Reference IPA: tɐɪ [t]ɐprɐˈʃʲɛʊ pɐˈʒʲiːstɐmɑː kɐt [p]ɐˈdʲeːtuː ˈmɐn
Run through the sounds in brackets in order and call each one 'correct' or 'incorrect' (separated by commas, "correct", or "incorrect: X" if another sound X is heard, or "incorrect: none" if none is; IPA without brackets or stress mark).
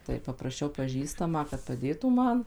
incorrect: p, correct